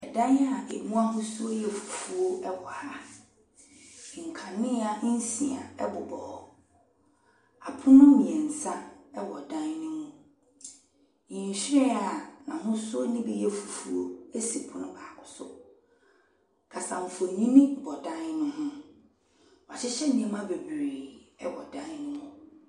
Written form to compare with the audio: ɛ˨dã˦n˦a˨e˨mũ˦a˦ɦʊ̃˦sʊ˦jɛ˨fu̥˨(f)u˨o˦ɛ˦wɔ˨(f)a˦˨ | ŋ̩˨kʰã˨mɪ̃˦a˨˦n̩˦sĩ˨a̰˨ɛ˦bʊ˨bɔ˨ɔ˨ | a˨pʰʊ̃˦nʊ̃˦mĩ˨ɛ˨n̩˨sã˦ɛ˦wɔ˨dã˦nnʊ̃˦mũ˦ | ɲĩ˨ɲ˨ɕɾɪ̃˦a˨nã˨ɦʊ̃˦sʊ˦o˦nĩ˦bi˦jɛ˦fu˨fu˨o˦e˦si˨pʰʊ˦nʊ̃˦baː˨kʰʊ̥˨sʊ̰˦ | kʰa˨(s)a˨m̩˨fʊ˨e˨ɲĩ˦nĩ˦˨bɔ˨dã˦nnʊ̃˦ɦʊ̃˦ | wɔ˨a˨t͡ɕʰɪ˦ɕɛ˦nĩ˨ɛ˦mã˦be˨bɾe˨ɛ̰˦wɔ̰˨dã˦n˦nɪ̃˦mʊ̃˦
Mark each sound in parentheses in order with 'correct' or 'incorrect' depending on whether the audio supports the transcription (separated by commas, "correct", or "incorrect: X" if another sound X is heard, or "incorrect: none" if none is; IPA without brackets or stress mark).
correct, incorrect: h, correct